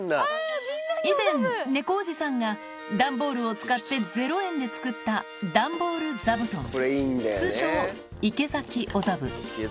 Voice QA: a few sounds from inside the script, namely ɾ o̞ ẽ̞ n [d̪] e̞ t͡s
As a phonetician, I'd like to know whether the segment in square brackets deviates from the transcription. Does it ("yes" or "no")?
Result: no